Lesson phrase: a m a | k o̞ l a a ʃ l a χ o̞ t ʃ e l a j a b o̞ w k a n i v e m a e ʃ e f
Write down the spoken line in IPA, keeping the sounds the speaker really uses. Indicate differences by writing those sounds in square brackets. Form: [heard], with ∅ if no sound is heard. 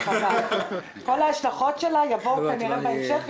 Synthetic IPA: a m a | k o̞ l a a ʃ l a χ o̞ t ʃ e l a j a [v] o̞ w k a n i [ʁ] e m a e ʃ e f